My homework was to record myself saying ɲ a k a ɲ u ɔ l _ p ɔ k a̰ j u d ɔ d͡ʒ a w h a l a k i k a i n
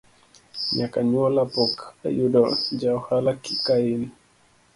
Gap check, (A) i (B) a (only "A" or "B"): B